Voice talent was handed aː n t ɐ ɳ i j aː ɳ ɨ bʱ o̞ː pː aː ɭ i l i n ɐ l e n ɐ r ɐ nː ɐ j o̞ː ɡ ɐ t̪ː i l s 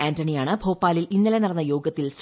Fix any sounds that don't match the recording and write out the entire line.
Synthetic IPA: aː n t ɐ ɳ i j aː ɳ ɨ bʱ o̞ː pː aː l i l i nː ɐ l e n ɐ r ɐ nː ɐ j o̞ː ɡ ɐ t̪ː i l s

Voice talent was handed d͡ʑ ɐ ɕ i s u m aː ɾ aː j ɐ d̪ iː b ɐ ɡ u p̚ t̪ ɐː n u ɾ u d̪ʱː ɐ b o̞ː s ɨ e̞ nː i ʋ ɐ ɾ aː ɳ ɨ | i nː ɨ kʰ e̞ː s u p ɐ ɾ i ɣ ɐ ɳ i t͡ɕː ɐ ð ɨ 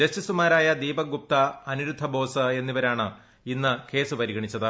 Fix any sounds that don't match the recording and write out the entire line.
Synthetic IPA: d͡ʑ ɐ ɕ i s u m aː ɾ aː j ɐ d̪ iː b ɐ ɡ u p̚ t̪ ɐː n u ɾ u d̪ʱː ɐ b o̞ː s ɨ e̞ nː i ʋ ɐ ɾ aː ɳ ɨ | i nː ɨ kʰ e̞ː s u p ɐ ɾ i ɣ ɐ ɳ i t͡ɕː ɐ ð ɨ

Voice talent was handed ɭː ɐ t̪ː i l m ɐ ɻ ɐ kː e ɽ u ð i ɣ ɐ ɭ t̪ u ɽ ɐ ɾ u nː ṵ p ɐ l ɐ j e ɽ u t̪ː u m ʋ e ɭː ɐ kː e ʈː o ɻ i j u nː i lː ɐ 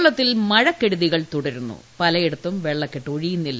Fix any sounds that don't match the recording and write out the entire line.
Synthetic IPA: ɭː ɐ t̪ː i l m ɐ ɻ ɐ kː e ɽ u ð i ɣ ɐ ɭ t̪ u ɽ ɐ ɾ u nː ṵ p ɐ l ɐ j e ɽ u t̪ː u m ʋ e ɭː ɐ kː e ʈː o ɻ i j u nː i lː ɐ

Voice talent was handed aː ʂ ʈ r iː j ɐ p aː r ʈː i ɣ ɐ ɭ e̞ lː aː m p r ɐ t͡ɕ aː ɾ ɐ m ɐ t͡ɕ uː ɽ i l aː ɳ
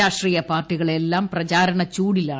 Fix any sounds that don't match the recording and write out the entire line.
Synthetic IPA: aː ʂ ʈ r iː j ɐ p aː r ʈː i ɣ ɐ ɭ e̞ lː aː m p r ɐ t͡ɕ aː ɾ ɐ ɳ ɐ t͡ɕ uː ɽ i l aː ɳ

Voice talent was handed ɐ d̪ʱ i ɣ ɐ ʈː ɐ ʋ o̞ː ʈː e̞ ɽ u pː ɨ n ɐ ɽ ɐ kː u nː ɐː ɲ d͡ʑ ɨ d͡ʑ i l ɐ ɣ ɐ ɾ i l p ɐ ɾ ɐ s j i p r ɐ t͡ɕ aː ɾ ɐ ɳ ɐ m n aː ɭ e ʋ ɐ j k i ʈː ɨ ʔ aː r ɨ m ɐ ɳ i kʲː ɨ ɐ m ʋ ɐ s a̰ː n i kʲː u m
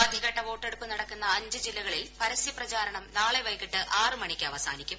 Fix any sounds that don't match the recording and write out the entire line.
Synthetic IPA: ɐ d̪ʱ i ɣ ɐ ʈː ɐ ʋ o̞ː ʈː e̞ ɽ u pː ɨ n ɐ ɽ ɐ kː u nː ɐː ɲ d͡ʑ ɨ d͡ʑ i lː ɐ ɣ ɐ ɭ i l p ɐ ɾ ɐ s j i p r ɐ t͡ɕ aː ɾ ɐ ɳ ɐ m n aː ɭ e ʋ ɐ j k i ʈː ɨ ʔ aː r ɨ m ɐ ɳ i kʲː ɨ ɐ ʋ ɐ s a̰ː n i kʲː u m

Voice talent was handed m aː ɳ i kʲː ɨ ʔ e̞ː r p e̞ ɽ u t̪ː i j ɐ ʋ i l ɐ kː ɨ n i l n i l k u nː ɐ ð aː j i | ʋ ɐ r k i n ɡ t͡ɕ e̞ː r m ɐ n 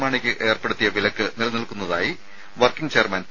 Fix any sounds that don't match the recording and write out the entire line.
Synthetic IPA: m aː ɳ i kʲː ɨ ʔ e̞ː r p e̞ ɽ u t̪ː i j ɐ ʋ i l ɐ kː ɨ n i l n i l k u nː ɐ ð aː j i | ʋ ɐ r k i ŋ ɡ t͡ɕ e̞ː r m ɐ n

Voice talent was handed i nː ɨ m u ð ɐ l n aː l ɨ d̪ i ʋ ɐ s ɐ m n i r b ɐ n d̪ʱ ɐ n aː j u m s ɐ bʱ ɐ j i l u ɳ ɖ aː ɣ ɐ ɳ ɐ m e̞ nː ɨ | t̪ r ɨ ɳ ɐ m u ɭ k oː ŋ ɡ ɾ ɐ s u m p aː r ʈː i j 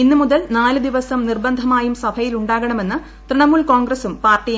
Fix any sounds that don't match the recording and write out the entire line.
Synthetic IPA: i nː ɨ m u ð ɐ l n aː l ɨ d̪ i ʋ ɐ s ɐ m n i r b ɐ n d̪ʱ ɐ m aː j u m s ɐ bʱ ɐ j i l u ɳ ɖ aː ɣ ɐ ɳ ɐ m e̞ nː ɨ | t̪ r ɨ ɳ ɐ m u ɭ k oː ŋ ɡ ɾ ɐ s u m p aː r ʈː i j

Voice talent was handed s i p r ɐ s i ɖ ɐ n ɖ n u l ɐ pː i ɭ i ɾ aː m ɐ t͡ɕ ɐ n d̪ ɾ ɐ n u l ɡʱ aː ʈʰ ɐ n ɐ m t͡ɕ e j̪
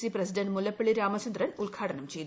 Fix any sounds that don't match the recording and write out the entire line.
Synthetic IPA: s i p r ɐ s i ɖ ɐ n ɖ m u l ɐ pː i ɭ i ɾ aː m ɐ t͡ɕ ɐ n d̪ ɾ ɐ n u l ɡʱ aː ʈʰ ɐ n ɐ m t͡ɕ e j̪

